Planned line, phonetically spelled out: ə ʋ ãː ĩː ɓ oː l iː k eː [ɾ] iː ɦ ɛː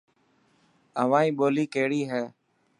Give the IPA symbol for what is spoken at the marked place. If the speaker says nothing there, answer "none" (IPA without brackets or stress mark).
ɽ